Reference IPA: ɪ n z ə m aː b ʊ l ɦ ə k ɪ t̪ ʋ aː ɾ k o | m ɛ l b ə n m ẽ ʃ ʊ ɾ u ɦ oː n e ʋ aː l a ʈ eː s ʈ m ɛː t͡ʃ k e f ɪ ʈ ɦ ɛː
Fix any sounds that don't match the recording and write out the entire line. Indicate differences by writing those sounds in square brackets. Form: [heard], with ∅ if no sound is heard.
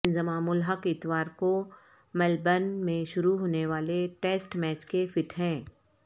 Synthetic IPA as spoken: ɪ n z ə m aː [m] ʊ l ɦ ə k ɪ t̪ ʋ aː ɾ k o | m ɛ l b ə n m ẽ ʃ ʊ ɾ u ɦ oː n e ʋ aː l [e] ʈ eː s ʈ m ɛː t͡ʃ k e f ɪ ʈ ɦ [ɛ̃ː]